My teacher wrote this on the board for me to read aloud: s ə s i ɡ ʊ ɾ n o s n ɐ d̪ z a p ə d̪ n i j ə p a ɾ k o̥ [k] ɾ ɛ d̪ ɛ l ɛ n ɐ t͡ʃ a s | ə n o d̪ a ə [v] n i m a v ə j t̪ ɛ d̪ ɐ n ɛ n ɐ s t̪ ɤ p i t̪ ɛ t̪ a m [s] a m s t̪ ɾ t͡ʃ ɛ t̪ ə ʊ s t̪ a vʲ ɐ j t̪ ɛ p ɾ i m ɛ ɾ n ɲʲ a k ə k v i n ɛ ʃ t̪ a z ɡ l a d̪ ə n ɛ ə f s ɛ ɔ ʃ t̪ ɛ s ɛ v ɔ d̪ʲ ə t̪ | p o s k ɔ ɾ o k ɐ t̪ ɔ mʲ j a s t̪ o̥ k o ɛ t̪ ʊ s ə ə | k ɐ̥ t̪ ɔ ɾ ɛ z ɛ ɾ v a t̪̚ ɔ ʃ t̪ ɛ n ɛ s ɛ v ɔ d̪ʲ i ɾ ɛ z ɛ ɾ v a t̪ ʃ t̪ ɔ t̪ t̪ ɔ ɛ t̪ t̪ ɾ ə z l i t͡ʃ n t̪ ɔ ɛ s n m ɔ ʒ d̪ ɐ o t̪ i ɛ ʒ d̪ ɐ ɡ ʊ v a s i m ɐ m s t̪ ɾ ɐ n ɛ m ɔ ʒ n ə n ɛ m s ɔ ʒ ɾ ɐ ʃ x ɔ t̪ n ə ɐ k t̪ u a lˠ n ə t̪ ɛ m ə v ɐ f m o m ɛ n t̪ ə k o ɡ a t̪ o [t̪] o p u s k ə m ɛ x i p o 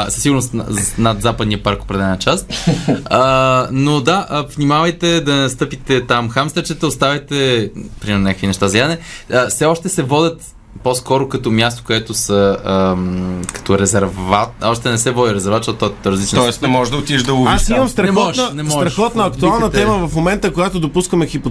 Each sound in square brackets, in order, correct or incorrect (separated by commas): incorrect, correct, incorrect, incorrect